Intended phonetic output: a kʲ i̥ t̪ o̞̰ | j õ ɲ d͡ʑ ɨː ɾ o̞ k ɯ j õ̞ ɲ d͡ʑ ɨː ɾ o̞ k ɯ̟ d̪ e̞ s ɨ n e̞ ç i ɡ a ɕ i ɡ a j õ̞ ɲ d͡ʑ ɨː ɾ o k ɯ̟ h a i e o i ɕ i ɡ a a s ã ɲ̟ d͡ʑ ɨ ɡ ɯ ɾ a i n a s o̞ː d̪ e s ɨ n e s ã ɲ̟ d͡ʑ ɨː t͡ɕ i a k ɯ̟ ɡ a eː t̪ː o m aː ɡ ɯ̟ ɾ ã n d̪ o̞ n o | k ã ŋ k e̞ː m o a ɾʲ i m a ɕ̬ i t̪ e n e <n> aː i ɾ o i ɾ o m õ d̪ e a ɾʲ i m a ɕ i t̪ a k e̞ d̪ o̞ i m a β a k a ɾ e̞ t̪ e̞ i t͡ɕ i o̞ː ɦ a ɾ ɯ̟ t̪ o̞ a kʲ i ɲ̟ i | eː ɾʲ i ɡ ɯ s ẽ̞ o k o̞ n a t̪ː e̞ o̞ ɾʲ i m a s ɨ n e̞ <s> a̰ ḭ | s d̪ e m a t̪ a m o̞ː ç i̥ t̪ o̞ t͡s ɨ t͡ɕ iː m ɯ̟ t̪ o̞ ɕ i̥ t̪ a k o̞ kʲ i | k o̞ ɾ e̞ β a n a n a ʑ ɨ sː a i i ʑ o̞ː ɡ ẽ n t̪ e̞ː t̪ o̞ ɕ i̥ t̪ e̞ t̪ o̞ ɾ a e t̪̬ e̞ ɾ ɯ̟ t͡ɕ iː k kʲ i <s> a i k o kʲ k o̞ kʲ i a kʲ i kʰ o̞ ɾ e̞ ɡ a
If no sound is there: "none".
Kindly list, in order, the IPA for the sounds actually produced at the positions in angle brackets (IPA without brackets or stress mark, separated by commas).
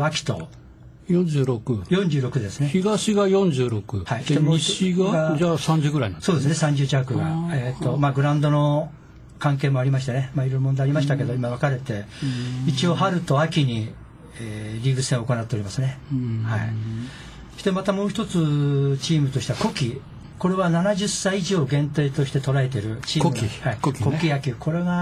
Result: m, h, h